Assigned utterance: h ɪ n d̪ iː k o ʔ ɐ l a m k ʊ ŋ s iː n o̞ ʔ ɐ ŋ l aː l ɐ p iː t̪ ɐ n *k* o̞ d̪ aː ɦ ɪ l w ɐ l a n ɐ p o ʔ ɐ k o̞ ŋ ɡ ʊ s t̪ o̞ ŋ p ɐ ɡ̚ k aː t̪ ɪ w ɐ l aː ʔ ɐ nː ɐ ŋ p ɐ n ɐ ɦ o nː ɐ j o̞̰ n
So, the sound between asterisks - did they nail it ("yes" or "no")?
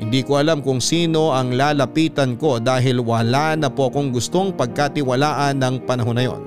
yes